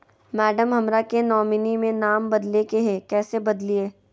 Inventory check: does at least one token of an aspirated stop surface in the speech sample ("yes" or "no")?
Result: no